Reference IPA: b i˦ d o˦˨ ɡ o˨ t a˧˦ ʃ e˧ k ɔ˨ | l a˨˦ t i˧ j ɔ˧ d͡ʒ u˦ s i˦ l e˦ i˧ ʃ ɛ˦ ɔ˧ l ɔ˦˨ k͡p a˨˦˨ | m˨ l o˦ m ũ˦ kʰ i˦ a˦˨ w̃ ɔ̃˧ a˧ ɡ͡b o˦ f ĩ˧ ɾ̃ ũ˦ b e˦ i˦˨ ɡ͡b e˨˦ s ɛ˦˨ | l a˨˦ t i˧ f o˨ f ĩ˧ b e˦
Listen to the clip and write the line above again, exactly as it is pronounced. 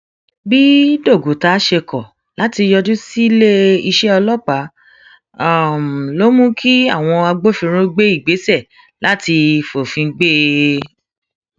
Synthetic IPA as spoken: b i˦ d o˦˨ ɡ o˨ t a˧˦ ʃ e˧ k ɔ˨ | l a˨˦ t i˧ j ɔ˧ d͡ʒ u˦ s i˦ l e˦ i˧ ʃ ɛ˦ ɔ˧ l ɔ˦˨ k͡p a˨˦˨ | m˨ l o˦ m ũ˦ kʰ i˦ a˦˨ w̃ ɔ̃˧ a˧ ɡ͡b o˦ f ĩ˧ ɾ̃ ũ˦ ɡ͡b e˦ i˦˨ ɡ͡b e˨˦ s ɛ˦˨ | l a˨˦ t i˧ f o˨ f ĩ˧ ɡ͡b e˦